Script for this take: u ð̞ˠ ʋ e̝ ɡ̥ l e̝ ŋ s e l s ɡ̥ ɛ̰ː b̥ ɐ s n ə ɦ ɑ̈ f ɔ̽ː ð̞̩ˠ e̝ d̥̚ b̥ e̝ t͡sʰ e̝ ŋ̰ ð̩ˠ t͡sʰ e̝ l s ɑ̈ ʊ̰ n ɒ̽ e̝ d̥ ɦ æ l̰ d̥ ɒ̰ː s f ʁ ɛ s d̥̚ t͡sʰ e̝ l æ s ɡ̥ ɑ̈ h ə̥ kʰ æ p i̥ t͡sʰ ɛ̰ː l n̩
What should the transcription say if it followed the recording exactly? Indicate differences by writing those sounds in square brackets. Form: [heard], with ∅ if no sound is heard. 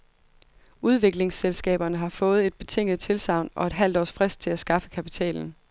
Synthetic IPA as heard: u ð̞ˠ ʋ e̝ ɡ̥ l e̝ ŋ s e l s ɡ̥ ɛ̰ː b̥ ɐ [∅] n ə ɦ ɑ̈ f ɔ̽ː ð̞̩ˠ e̝ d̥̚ b̥ e̝ t͡sʰ e̝ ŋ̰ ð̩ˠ t͡sʰ e̝ l s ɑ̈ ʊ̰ n ɒ̽ e̝ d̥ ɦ æ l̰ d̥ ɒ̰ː s f ʁ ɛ s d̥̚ t͡sʰ e̝ l æ s ɡ̥ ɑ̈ [f] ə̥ kʰ æ p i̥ t͡sʰ ɛ̰ː l n̩